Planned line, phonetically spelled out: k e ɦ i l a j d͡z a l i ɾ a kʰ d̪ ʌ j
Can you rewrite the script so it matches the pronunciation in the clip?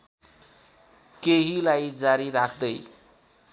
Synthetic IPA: k e ɦ i l a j d͡z a ɾ i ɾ a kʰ d̪ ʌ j